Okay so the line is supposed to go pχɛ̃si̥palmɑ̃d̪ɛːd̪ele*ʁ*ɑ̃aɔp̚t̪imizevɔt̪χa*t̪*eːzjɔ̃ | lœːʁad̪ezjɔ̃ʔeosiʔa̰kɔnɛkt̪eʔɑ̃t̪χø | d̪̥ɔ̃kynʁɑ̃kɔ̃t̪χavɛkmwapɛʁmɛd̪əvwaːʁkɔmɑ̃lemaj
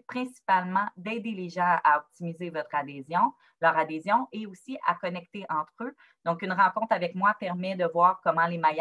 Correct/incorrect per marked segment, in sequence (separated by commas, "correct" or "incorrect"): incorrect, incorrect